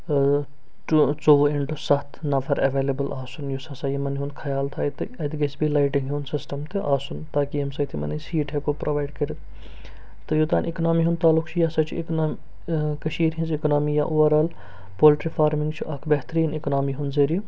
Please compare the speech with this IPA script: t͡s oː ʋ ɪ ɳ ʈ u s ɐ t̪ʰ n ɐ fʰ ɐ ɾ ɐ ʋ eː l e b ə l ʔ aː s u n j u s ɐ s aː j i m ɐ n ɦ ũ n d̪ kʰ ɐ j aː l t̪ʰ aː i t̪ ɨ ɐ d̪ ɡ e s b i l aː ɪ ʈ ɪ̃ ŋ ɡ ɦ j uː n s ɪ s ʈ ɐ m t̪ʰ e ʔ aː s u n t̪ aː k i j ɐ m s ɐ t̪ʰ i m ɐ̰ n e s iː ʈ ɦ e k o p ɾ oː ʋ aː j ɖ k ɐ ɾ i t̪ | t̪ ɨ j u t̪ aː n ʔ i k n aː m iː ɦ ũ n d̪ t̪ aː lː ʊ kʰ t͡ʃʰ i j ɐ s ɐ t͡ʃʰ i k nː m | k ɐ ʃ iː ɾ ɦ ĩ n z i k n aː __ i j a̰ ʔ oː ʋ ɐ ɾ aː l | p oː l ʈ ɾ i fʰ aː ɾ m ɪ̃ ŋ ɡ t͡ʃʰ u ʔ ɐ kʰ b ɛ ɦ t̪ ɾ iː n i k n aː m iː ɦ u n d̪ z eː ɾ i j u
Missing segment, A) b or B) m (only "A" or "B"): B